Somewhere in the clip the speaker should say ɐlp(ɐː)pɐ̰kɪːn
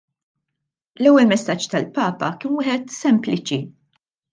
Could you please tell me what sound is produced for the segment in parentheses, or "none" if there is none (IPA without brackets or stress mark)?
ɐː